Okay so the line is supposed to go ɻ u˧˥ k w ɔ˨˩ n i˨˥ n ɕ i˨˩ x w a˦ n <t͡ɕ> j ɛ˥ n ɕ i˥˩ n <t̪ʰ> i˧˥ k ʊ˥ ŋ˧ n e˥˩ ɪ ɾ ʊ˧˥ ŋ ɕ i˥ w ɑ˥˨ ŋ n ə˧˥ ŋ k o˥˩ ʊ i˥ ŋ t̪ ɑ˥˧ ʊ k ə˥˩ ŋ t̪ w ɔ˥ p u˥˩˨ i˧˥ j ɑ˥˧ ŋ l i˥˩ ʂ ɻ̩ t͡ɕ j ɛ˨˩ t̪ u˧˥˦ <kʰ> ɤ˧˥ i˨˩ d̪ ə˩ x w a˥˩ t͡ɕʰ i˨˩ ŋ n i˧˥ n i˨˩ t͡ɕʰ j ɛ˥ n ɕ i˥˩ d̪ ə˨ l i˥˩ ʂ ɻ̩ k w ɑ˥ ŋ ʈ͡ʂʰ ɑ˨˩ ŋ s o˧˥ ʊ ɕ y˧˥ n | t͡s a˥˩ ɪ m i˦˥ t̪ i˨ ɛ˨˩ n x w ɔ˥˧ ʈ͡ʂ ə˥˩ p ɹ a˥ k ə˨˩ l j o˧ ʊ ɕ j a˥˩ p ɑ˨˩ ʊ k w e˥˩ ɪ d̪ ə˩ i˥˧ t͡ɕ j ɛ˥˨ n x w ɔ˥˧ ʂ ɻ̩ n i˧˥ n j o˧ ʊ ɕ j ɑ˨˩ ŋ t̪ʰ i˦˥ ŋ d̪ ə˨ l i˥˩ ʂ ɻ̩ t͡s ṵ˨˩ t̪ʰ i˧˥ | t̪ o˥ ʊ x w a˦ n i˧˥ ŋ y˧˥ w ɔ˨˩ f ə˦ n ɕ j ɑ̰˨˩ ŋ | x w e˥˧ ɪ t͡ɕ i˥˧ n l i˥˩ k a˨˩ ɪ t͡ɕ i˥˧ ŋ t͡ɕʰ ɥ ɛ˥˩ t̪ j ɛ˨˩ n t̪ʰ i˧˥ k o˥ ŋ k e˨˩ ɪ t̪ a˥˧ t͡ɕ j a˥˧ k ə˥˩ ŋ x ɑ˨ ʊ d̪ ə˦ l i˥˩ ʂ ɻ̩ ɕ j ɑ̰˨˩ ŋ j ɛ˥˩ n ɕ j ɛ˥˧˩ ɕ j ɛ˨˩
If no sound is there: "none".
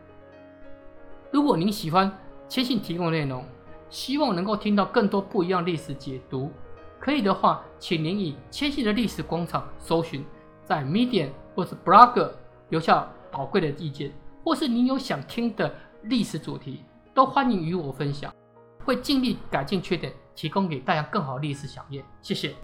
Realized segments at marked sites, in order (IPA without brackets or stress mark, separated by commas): t͡ɕʰ, t̪ʰ, kʰ